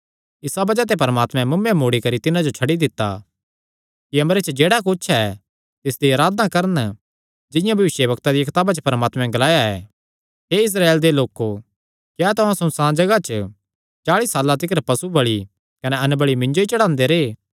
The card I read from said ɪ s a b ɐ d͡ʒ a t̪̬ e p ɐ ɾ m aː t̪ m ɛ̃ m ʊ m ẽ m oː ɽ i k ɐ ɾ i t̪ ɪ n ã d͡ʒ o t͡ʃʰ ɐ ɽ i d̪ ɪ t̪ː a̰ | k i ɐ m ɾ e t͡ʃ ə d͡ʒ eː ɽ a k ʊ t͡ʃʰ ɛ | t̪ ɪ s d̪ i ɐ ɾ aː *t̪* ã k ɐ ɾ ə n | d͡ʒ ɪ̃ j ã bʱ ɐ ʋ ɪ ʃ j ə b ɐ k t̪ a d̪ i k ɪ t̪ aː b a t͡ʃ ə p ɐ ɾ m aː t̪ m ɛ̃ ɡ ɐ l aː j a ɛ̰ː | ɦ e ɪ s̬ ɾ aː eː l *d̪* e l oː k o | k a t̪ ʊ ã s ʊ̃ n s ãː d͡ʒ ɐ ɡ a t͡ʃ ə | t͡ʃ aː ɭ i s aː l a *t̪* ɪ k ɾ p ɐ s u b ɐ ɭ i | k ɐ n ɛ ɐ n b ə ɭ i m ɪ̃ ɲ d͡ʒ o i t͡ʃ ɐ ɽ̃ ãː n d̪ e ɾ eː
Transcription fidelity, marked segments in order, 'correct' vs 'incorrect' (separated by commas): incorrect, correct, correct